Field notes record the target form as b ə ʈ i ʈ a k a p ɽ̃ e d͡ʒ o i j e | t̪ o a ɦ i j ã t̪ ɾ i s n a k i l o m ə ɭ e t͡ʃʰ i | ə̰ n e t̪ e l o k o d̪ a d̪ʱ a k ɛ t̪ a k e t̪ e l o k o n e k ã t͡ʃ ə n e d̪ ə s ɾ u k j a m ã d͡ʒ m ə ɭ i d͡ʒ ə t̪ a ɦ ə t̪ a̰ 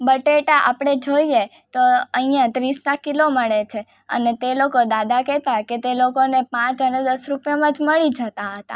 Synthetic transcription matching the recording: b ə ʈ e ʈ a ʔ a p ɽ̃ e d͡ʒ o i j e | t̪ o ə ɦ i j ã t̪ ɾ i s n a k i l o m ə ɭ e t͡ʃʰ e | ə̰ n e t̪ e l o k o d̪ a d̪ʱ a k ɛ t̪ a k e t̪ e l o k o n e p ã t͡ʃ ə n e d̪ ə s ɾ u p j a m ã d͡ʒ m ə ɭ i d͡ʒ ə t̪ a ɦ ə t̪ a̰